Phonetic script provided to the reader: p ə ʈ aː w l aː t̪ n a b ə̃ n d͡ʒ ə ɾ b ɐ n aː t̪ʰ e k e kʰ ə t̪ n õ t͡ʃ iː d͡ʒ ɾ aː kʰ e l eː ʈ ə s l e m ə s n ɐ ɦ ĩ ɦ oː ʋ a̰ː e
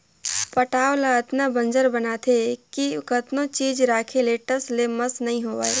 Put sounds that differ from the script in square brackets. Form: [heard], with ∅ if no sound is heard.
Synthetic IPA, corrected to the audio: p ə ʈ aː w l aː t̪ n a b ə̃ n d͡ʒ ə ɾ b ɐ n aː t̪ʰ e k [i] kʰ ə t̪ n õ t͡ʃ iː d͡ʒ ɾ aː kʰ e l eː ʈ ə s l e m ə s n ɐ ɦ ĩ ɦ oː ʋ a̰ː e